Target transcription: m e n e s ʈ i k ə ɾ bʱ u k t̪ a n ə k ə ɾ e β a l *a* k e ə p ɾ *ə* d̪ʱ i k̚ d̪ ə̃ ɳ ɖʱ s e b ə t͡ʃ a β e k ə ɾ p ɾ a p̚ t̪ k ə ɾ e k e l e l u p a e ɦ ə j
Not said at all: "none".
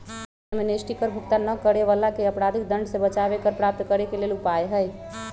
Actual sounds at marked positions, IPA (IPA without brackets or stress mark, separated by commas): a, a